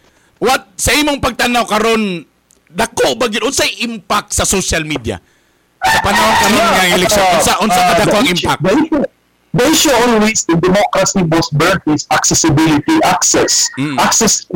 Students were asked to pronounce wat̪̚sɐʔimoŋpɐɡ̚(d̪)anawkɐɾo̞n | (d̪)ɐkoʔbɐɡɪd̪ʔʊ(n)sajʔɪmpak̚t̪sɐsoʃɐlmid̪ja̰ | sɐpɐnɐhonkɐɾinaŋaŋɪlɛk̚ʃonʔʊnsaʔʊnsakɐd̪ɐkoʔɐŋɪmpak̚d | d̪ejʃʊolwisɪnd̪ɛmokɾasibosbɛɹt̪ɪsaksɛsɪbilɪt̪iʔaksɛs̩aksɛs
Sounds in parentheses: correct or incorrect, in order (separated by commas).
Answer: incorrect, correct, correct